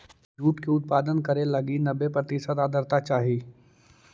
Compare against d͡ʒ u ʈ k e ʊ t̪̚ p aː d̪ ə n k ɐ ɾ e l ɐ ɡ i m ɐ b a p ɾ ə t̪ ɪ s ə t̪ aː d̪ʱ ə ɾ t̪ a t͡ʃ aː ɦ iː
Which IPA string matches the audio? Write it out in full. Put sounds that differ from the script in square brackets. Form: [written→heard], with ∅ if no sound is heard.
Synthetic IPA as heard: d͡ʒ [u→uː] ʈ k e ʊ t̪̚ p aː d̪ ə n k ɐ ɾ e l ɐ ɡ i [m→n] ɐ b [a→e] p ɾ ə t̪ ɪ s ə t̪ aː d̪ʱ ə ɾ t̪ a t͡ʃ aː ɦ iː